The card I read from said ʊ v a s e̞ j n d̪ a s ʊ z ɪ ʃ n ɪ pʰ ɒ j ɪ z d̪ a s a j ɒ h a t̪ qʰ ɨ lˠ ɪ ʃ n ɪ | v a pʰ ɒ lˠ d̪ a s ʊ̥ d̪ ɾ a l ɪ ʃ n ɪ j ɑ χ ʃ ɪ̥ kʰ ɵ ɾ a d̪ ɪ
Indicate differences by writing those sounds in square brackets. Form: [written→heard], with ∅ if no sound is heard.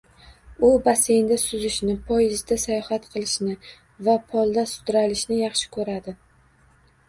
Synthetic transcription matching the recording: ʊ [v→b] a s e̞ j n d̪ a s ʊ z ɪ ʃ n ɪ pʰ ɒ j ɪ z d̪ a s a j ɒ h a t̪ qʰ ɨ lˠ ɪ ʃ n ɪ | v a pʰ ɒ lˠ d̪ a s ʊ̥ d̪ ɾ a l ɪ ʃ n ɪ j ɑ χ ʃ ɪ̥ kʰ ɵ ɾ a d̪ ɪ